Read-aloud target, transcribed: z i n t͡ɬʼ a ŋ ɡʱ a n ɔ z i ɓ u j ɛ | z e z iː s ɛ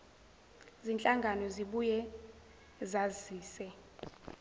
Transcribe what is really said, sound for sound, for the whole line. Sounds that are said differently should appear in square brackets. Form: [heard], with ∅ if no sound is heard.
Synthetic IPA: z i n t͡ɬʼ a ŋ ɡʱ a n ɔ z i ɓ u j ɛ | z [a] z iː s ɛ